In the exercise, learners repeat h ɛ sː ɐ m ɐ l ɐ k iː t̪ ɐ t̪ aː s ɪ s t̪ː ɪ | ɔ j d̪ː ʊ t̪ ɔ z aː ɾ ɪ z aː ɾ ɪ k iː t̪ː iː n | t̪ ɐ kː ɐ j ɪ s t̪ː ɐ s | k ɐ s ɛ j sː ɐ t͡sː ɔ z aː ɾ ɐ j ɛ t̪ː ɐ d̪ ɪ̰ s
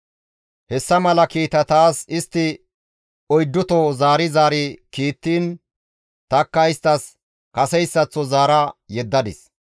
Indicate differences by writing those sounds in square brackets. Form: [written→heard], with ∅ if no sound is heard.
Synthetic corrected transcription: h ɛ sː ɐ m ɐ l ɐ k iː t̪ ɐ t̪ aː s ɪ s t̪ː ɪ | ɔ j d̪ː ʊ t̪ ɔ z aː ɾ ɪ z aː ɾ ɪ k iː t̪ː iː n | t̪ ɐ kː ɐ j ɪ s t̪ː ɐ s | k ɐ s ɛ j sː ɐ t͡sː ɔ z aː ɾ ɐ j ɛ [t̪ː→d̪ː] ɐ d̪ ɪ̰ s